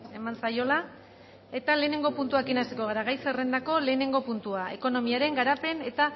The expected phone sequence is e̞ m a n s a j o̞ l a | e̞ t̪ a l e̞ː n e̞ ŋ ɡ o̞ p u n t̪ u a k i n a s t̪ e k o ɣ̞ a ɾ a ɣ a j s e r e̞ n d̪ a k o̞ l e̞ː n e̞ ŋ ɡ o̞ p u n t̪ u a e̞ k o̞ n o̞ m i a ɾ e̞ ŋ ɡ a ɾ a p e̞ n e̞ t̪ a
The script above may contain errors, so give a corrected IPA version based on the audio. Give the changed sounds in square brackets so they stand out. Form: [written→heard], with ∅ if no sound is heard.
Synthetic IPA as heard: e̞ m a n s a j o̞ l a | e̞ t̪ a l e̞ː n e̞ ŋ ɡ o̞ p u n t̪ u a k i n a s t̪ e k o ɣ̞ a ɾ a ɣ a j s e r e̞ n d̪ a k o̞ l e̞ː n e̞ ŋ ɡ o̞ p u n t̪ u a e̞ k o̞ n o̞ m i a ɾ e̞ ŋ ɡ a ɾ a p e̞ n e̞ t̪ a